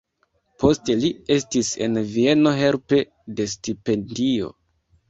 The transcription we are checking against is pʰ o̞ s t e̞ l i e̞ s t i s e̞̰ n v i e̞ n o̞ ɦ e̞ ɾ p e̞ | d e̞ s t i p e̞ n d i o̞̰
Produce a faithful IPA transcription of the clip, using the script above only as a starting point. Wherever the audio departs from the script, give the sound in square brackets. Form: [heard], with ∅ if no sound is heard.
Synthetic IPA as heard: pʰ o̞ s t e̞ l i e̞ s t i s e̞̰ n v i e̞ n o̞ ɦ e̞ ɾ p e̞ | d e̞ s t i p e̞ n d i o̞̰